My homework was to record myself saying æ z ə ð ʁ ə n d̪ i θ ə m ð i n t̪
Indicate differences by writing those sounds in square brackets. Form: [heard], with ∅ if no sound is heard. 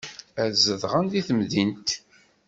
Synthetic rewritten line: æ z ə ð ʁ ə n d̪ i θ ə m ð i n t̪